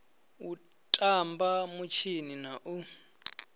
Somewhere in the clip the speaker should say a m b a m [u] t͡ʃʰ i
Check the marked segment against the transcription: correct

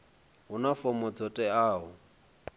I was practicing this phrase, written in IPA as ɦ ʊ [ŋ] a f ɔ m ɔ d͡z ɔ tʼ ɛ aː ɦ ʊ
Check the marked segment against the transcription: incorrect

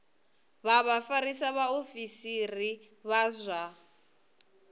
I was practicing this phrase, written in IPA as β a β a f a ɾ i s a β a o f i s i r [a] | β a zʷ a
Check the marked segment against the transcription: incorrect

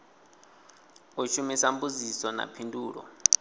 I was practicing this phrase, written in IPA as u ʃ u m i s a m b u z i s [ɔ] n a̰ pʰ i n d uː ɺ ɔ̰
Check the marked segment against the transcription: correct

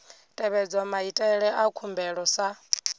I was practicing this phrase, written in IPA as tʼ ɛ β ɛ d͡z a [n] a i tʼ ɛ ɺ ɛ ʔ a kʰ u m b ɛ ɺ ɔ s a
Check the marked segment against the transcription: incorrect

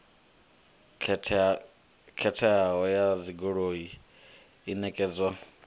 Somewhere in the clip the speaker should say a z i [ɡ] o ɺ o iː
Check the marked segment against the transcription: correct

